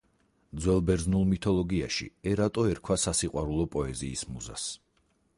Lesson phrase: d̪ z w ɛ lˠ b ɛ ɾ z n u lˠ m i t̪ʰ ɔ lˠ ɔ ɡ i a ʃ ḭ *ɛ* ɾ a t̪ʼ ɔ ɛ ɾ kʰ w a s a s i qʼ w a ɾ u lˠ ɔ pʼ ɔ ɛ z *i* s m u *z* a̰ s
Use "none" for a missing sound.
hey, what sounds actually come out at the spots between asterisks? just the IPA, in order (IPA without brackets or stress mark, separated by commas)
ɛ, iː, z